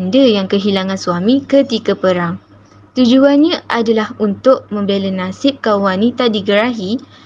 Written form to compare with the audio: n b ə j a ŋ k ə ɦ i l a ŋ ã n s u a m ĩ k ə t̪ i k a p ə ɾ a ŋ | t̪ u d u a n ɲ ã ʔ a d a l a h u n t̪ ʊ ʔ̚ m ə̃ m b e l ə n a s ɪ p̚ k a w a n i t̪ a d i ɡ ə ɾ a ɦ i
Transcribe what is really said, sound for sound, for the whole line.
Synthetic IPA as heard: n d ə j a ŋ k ə ɦ i l a ŋ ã n s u a m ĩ k ə t̪ i k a p ə ɾ a ŋ | t̪ u d͡ʒ u a n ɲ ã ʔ a d a l a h u n t̪ ʊ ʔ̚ m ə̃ m b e l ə n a s ɪ p̚ k a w a n i t̪ a d i ɡ ə ɾ a ɦ i